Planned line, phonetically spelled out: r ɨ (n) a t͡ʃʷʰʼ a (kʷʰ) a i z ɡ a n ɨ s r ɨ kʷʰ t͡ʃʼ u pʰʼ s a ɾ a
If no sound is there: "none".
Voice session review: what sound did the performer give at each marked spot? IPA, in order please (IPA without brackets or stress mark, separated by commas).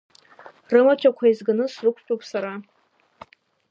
m, kʷʰ